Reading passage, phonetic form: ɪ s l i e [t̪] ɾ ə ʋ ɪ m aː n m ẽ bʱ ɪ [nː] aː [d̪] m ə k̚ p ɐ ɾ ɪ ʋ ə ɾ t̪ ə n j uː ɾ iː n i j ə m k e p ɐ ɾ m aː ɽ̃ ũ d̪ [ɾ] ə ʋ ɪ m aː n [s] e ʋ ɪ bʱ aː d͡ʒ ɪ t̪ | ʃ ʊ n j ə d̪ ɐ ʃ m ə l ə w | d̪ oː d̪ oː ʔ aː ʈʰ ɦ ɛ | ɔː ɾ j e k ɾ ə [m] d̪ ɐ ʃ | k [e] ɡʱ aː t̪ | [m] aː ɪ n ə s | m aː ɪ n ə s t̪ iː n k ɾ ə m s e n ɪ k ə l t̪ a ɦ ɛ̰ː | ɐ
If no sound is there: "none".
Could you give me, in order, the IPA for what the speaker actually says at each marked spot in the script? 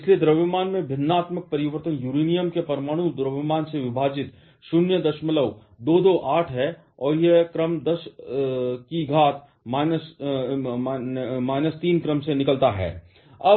d̪, nː, t̪, ɾ, s, m, i, m

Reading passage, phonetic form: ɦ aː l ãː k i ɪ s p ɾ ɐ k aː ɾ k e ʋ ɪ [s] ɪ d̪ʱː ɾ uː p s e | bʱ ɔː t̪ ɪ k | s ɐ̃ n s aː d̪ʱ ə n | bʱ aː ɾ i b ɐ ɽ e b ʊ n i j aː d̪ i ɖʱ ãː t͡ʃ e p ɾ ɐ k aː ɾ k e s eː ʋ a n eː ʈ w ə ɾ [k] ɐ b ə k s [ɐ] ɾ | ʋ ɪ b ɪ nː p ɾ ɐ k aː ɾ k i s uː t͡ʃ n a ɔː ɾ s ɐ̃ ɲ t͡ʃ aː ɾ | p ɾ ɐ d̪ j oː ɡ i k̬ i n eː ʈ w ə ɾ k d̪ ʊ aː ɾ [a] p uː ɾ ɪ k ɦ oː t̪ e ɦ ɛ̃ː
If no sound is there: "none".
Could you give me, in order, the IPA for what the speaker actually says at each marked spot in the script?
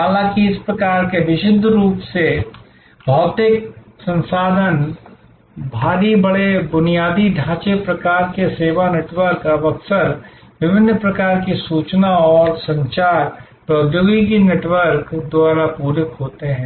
ʃ, k, ə, a

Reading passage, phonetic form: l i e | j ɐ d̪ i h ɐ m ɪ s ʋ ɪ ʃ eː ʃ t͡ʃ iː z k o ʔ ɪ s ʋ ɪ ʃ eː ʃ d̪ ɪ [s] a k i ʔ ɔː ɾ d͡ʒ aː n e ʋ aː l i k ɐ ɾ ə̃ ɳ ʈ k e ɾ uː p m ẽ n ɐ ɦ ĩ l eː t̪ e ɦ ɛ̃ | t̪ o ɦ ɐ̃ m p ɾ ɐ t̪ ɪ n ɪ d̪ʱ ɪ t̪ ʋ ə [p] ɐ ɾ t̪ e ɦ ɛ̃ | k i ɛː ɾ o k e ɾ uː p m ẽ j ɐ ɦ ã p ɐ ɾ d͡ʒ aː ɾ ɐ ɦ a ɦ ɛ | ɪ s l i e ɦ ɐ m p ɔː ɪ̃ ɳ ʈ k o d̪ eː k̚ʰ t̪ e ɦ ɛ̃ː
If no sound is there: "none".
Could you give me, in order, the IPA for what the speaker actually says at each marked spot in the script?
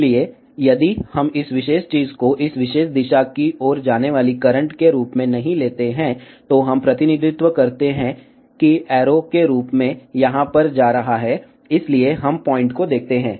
ʃ, k

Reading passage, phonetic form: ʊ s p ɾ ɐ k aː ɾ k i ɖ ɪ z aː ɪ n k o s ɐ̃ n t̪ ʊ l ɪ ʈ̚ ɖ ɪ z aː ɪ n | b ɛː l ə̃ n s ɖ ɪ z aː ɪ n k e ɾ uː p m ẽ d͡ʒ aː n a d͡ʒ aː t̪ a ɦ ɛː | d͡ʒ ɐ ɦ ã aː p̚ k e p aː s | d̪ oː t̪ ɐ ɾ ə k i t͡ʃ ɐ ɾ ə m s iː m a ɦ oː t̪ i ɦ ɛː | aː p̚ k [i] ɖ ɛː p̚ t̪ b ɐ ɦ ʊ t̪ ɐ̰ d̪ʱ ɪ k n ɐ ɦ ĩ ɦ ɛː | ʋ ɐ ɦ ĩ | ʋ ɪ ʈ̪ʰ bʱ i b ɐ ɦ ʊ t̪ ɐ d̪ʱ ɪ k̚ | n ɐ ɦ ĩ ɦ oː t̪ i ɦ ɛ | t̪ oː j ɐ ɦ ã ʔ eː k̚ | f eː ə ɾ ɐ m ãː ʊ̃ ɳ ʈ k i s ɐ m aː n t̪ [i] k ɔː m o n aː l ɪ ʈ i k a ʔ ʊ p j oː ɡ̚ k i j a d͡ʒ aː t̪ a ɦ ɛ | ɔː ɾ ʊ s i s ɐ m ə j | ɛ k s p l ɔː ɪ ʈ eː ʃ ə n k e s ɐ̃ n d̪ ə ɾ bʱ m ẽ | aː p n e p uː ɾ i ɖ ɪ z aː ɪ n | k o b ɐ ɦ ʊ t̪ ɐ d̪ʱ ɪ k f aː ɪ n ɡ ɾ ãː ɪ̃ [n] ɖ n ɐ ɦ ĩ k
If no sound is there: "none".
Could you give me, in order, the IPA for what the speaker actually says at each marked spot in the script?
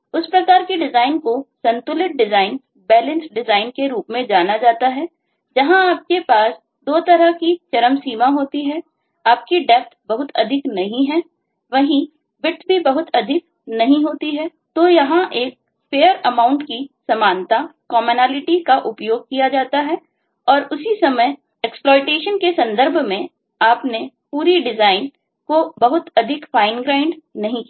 i, a, ɳ

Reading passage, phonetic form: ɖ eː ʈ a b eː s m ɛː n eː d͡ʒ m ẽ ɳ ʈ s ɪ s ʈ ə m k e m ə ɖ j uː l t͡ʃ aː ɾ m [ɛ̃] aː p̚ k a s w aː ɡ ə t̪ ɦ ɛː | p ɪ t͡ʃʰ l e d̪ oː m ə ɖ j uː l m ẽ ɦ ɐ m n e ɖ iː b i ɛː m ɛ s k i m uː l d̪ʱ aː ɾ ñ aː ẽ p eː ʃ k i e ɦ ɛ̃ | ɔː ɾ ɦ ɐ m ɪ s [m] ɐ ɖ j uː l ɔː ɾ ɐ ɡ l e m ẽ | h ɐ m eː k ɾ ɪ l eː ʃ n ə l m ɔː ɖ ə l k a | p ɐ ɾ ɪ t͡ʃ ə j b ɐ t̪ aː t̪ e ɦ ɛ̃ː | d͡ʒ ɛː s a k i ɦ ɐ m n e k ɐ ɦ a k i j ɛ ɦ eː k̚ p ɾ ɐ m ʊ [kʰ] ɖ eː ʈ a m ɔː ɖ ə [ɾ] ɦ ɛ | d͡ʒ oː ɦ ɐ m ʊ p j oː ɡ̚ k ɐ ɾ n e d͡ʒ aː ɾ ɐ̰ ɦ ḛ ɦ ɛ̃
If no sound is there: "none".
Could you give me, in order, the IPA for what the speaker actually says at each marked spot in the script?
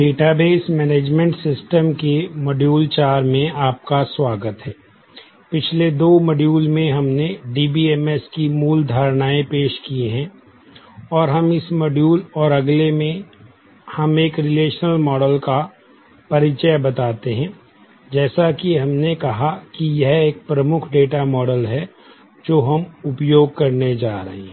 ẽ, m, kʰ, l

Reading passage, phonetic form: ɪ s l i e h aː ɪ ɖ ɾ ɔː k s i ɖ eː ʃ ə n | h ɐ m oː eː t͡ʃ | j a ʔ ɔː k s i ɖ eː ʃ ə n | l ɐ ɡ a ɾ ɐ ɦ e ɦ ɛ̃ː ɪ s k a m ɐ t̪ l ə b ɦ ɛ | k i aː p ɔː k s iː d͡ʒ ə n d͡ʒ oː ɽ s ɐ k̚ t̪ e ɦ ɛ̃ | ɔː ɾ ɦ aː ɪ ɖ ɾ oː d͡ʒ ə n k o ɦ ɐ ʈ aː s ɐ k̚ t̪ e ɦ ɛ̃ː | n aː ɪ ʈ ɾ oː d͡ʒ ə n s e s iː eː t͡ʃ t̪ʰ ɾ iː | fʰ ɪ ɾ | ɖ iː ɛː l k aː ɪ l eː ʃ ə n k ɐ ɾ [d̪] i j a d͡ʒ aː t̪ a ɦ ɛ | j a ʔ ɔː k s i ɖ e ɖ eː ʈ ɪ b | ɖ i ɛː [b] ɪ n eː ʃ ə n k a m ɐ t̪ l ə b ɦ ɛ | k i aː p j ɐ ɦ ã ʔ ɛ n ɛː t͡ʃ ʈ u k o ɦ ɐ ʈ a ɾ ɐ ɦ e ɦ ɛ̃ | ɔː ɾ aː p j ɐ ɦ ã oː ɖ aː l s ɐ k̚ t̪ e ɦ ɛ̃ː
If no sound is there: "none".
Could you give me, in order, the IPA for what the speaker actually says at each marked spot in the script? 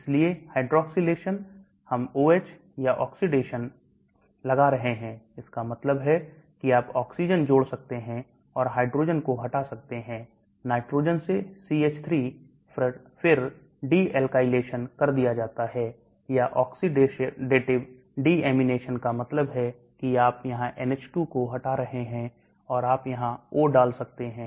d̪, m

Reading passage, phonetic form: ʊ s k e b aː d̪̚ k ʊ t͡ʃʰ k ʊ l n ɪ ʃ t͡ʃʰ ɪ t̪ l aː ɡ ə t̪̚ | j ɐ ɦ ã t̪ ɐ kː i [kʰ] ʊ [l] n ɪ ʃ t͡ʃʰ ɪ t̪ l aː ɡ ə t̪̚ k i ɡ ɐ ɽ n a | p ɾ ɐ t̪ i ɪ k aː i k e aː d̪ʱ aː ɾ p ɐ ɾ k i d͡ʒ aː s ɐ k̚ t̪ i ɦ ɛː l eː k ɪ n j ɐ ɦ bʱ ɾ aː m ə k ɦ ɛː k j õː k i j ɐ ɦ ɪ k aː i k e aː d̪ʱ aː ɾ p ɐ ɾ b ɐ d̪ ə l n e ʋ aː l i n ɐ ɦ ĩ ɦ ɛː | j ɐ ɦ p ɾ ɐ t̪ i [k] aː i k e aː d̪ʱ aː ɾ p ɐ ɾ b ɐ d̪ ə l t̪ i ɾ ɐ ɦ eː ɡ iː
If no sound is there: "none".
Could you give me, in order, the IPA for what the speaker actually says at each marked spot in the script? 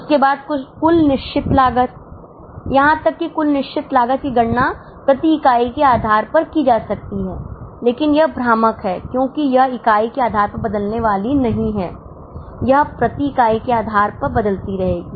k, l, k

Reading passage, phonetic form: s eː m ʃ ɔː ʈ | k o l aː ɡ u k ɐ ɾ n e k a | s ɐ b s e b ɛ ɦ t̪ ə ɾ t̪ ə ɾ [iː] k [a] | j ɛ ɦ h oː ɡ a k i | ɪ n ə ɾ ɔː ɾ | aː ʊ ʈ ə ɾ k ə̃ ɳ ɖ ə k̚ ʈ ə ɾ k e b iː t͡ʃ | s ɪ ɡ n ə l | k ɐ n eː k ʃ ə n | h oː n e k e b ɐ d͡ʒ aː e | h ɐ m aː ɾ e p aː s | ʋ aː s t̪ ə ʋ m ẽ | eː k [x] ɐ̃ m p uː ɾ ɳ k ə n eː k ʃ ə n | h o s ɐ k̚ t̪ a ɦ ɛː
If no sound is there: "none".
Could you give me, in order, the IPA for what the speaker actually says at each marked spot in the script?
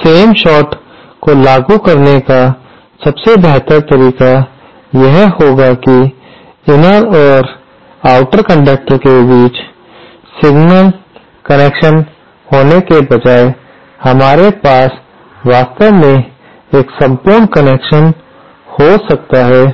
iː, a, s

